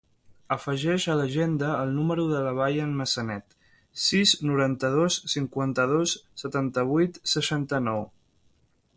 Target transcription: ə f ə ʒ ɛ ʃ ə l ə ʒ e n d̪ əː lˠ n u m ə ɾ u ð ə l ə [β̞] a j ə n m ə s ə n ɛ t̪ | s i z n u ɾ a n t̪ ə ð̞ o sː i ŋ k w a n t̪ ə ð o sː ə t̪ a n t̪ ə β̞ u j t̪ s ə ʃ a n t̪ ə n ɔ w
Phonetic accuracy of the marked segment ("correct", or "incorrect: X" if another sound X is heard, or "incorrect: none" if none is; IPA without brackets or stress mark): correct